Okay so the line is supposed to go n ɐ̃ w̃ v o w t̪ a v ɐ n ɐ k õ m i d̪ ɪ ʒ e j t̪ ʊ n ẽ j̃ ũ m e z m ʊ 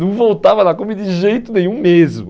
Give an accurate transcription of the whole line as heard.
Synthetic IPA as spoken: n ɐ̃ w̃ v o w t̪ a v ɐ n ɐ k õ m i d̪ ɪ ʒ e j t̪ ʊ n ẽ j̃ ũ m e z m ʊ